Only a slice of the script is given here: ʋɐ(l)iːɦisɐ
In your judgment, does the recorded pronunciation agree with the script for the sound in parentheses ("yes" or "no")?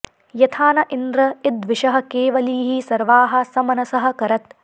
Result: yes